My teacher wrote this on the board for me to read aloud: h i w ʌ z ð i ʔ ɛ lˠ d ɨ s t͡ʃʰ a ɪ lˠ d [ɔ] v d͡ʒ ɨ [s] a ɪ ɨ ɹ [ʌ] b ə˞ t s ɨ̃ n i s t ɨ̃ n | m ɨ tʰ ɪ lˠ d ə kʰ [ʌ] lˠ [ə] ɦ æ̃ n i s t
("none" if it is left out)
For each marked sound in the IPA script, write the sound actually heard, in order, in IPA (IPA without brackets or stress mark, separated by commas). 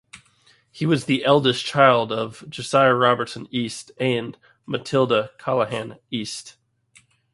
ʌ, s, ɑ, ɑ, ə